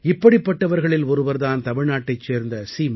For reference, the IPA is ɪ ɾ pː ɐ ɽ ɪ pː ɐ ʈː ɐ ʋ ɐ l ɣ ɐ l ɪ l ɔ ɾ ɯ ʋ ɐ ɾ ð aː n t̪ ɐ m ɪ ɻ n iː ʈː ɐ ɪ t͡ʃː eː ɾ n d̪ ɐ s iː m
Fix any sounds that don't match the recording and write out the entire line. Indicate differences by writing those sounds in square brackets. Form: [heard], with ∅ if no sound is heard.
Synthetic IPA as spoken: ɪ [∅] pː ɐ ɽ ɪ pː ɐ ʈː ɐ ʋ ɐ [ɾ] ɣ ɐ [ɭ] ɪ l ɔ ɾ ɯ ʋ ɐ ɾ ð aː n t̪ ɐ m ɪ ɻ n [aː] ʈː ɐ ɪ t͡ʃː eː ɾ n d̪ ɐ s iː m